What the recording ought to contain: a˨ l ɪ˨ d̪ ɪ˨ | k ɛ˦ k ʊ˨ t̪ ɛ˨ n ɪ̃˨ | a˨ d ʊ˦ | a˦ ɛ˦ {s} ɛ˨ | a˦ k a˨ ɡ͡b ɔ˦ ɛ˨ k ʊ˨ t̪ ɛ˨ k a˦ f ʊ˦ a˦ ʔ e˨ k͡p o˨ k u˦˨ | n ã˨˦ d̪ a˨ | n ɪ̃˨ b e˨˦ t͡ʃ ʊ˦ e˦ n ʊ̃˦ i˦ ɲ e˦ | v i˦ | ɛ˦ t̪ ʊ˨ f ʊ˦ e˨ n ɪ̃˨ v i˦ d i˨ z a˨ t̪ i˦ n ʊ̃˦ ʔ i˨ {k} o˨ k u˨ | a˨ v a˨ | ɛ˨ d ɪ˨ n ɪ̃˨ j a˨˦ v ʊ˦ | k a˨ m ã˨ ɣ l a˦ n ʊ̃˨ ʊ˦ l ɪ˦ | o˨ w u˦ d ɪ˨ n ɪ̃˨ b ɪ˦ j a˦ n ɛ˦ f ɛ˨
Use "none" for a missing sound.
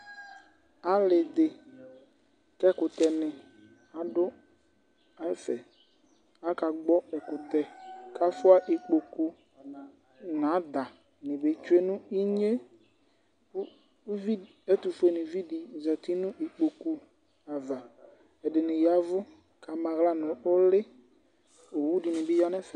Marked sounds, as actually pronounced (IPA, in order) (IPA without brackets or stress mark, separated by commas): f, k͡p